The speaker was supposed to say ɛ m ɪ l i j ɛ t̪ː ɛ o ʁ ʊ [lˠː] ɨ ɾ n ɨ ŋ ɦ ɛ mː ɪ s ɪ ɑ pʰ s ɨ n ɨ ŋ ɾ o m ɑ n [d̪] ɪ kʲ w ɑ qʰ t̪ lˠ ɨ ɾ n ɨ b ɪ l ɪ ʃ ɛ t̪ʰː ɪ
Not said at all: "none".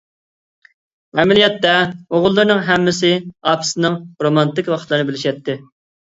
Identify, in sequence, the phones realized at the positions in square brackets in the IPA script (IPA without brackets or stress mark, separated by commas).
lˠː, t̪